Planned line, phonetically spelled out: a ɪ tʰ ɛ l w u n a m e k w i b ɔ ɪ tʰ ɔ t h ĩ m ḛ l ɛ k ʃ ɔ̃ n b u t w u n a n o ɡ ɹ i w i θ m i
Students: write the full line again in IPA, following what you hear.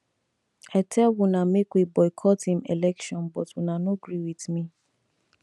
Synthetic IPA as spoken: a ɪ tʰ ɛ l w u n a m e k w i b ɔ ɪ kʰ ɔ t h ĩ m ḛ l ɛ k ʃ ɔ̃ n b ɔ t w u n a n o ɡ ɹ i w i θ m i